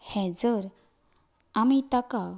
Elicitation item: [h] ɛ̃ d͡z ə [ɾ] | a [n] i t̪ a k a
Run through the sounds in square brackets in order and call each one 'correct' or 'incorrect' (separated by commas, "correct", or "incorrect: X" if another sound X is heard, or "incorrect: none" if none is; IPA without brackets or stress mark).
correct, correct, incorrect: m